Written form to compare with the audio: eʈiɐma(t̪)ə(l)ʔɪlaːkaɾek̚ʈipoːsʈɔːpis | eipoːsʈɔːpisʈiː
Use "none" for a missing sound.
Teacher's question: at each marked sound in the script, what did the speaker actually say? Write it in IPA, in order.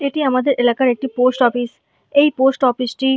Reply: d̪, ɾ

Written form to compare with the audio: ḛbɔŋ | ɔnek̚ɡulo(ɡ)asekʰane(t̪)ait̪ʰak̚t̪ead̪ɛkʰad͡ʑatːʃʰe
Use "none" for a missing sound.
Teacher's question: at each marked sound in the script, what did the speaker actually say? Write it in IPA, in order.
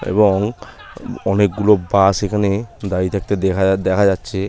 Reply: b, d̪

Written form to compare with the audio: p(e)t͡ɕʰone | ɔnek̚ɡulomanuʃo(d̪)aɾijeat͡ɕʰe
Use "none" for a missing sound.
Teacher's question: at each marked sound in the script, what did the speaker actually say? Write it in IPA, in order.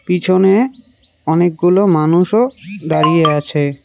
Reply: i, d̪

